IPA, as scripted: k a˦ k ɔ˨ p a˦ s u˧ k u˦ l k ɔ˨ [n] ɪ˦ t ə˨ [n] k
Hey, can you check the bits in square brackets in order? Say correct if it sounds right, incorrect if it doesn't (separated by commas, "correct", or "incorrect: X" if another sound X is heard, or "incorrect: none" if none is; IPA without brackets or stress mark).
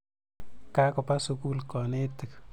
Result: correct, incorrect: none